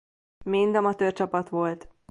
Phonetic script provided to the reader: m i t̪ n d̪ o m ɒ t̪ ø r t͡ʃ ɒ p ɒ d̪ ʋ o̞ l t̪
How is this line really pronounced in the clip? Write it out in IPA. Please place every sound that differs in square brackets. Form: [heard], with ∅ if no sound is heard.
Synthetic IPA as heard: m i [∅] n d̪ [ɒ] m ɒ t̪ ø r t͡ʃ ɒ p ɒ [t̪] ʋ o̞ l t̪